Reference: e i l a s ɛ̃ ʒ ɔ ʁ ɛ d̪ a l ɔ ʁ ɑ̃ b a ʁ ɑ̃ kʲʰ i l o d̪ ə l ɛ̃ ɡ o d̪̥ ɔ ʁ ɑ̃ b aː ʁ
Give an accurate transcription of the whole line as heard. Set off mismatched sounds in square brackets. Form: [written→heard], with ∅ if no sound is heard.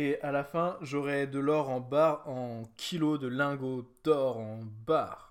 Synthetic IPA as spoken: e [i→a] l a [s→f] ɛ̃ ʒ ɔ ʁ ɛ d̪ [a→ə] l ɔ ʁ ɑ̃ b a ʁ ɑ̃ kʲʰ i l o d̪ ə l ɛ̃ ɡ o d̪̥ ɔ ʁ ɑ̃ b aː ʁ